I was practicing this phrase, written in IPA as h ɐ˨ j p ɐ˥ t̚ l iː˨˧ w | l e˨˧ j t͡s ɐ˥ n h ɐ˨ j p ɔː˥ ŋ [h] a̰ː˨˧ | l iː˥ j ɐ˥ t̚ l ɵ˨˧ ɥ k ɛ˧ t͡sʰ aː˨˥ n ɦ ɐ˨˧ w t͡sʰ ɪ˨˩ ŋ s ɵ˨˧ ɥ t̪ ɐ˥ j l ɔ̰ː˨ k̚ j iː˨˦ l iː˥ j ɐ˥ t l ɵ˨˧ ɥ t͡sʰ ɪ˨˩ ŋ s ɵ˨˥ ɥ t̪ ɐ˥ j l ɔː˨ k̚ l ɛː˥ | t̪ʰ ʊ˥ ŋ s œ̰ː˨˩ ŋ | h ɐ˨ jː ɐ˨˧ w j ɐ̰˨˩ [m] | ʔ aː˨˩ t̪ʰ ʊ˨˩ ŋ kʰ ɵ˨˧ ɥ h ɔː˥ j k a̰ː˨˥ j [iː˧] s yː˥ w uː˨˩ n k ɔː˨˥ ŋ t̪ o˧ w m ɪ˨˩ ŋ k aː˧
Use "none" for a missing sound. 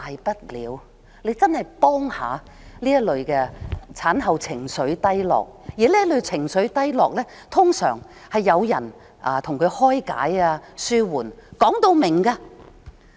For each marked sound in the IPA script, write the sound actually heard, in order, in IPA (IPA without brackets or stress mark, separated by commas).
h, n, aː˧